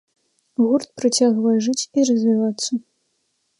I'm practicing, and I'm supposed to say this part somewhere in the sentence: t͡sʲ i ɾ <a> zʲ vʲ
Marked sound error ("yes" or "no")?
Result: yes